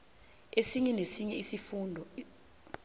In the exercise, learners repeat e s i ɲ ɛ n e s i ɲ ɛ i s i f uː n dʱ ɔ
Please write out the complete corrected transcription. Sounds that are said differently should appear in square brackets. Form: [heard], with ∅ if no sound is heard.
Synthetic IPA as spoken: e s i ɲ ɛ n e s i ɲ ɛ i s i f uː n dʱ ɔ

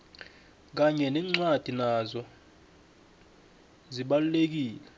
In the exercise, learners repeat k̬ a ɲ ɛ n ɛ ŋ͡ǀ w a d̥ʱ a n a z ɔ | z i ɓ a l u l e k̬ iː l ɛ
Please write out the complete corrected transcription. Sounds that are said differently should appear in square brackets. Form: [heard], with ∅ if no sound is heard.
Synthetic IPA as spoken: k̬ a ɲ ɛ n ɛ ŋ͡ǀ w a d̥ʱ [i] n a z ɔ | z i ɓ a l u l e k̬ iː l ɛ

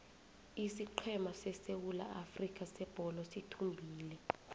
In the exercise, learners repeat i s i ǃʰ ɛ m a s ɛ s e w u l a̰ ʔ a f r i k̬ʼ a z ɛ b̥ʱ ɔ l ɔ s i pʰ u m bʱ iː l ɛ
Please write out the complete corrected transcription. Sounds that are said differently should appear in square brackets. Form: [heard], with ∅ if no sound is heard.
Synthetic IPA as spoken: i s i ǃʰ ɛ m a s ɛ s e w u l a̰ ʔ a f r i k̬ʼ a [s] ɛ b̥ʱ ɔ l ɔ s i [tʰ] u m bʱ iː l ɛ

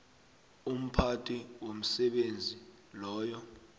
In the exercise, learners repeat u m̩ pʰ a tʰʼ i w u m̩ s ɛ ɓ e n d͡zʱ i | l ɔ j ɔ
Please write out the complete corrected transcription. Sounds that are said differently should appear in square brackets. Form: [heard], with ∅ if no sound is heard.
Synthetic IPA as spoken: u m̩ pʰ a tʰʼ i w [o] m̩ s ɛ ɓ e n d͡zʱ i | l [ɔː] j ɔ

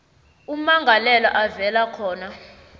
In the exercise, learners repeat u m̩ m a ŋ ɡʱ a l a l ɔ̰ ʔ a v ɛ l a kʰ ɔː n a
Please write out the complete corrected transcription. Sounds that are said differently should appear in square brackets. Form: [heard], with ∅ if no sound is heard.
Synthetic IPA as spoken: u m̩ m a ŋ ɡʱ a l [ɛ] l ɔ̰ ʔ a v ɛ l a kʰ ɔː n a

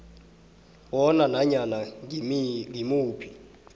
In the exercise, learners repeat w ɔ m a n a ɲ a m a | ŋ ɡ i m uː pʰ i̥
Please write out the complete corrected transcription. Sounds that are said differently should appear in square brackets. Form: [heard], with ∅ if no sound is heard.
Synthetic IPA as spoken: w ɔ [n] a n a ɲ a [n] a | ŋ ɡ i m uː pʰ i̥

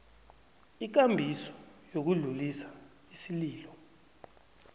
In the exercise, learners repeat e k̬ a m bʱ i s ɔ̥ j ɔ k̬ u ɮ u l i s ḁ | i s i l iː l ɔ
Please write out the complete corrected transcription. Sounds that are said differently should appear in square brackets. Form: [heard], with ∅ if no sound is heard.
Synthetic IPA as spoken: [i] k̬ a m bʱ i s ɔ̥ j [o] k̬ u ɮ u l i s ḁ | i s i l iː l ɔ

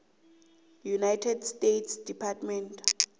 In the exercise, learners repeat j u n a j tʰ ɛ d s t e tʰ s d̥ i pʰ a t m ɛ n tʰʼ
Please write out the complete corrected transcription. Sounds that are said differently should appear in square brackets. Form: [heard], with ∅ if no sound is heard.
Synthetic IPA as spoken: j u n a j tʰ ɛ d s t e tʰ s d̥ i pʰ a t m ɛ n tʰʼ

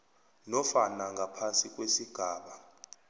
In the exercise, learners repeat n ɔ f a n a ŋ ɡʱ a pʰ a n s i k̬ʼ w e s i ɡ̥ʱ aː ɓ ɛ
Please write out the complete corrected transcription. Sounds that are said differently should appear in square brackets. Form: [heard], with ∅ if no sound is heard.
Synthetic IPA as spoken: n ɔ f a n a ŋ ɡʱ a pʰ a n s i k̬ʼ w e s i ɡ̥ʱ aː ɓ [a]

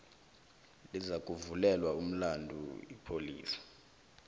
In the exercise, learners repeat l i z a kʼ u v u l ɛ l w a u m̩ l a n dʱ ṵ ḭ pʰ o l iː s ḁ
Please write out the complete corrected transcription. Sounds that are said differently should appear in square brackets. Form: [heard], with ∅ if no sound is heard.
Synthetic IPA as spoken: l i z a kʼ u v u l ɛ l w a u m̩ l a n dʱ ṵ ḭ pʰ o l iː s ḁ

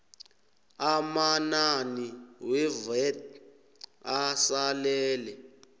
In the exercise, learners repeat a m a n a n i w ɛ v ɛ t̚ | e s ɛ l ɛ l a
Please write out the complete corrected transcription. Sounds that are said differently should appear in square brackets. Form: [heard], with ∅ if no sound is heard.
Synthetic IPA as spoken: a m a n a n i w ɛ v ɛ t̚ | [a] s [a] l [ɛː] l [ɛ]

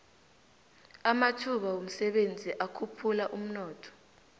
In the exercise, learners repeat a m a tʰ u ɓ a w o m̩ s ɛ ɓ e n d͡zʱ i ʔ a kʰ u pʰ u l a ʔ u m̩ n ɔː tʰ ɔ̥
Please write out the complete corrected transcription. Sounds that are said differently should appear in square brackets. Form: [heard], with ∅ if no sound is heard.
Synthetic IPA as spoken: a m a tʰ u ɓ a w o m̩ s ɛ ɓ e n d͡zʱ i ʔ a kʰ u pʰ u l a ʔ u m̩ n ɔː tʰ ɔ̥

